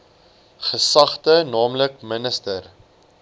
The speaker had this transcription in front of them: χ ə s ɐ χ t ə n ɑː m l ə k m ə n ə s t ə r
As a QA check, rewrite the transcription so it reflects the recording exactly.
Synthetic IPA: χ ə s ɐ χ t ə n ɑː m l ə k m ə n ə s t ə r